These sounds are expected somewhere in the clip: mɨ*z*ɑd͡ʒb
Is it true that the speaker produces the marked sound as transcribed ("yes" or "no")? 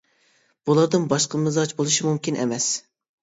yes